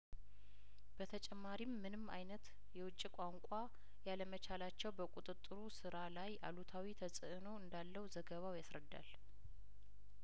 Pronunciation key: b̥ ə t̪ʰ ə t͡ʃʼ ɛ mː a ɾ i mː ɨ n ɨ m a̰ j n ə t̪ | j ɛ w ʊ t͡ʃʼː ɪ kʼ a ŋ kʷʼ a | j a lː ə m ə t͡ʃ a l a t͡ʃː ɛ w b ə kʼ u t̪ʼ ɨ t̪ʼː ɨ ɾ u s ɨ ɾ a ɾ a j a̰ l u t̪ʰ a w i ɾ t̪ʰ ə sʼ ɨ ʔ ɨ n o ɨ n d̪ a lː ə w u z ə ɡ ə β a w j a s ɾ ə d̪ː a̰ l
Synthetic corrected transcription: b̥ ə t̪ʰ ə t͡ʃʼ ɛ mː a ɾ i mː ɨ n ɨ m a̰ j n ə t̪ | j ɛ w ʊ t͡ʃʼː i kʼ a ŋ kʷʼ a | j a l ə m ə t͡ʃ a l a t͡ʃː ɛ w b ə kʼ u t̪ʼ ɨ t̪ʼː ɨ ɾ u s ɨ ɾ a l a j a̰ l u t̪ʰ a w i t̪ʰ ə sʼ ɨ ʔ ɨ n o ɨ n d̪ a lː ə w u z ə ɡ ə β a w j a s ɾ ə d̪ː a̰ l